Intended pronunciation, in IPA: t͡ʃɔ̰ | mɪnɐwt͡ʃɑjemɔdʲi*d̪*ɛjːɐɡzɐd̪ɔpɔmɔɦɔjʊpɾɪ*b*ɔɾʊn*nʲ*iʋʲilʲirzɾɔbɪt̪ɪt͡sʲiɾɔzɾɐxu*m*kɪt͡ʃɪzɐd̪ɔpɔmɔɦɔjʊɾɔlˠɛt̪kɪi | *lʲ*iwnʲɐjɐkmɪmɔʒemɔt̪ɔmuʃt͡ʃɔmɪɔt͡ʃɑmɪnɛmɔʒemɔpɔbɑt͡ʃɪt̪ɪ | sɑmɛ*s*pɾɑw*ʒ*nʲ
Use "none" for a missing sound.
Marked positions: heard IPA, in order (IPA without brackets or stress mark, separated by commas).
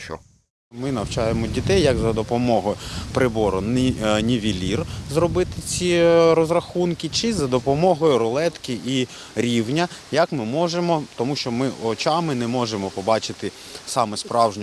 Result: t̪, b, nʲ, n, ɾʲ, s, ʒ